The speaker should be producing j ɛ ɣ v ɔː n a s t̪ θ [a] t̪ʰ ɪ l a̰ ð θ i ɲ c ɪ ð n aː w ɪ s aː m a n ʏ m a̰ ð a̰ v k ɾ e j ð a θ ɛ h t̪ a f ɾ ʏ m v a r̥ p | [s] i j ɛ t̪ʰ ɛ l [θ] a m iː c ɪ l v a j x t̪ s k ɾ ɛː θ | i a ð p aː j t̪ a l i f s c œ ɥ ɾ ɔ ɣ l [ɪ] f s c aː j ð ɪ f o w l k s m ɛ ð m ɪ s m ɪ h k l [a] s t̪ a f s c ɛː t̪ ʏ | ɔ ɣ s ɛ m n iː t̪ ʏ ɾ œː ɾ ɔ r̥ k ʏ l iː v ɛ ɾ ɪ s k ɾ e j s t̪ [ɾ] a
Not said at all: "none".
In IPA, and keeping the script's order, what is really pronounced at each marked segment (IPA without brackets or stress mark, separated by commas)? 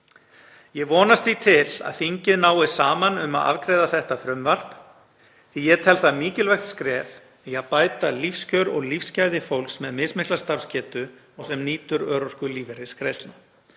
i, θ, θ, i, a, l